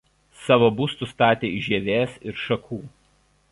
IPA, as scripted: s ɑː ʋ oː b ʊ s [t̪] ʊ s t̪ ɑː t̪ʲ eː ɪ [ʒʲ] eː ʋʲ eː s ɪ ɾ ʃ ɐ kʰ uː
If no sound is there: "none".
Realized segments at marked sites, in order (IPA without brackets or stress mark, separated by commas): t̪, ʒʲ